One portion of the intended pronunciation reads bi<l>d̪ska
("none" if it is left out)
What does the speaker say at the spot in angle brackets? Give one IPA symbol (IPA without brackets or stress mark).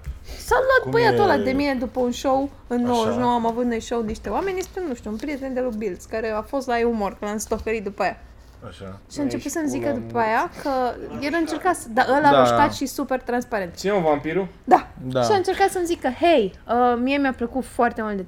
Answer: l